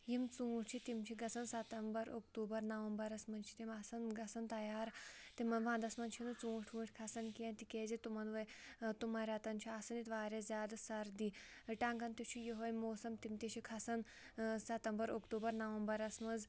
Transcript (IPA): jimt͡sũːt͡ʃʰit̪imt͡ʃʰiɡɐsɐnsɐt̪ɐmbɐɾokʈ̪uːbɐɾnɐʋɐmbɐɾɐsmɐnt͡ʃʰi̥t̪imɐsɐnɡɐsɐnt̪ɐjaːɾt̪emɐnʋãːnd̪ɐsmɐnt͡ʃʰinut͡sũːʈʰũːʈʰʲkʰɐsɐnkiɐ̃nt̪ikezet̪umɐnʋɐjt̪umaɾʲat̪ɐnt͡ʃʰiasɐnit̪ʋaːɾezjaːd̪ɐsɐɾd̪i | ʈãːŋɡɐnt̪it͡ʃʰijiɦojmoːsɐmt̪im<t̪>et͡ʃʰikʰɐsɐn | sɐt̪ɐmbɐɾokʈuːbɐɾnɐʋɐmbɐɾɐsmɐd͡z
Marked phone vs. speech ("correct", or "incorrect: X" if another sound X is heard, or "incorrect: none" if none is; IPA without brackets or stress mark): correct